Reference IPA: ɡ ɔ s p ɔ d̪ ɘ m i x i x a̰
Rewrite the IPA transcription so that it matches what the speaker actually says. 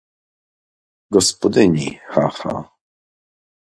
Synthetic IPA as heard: ɡ ɔ s p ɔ d̪ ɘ ɲ i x a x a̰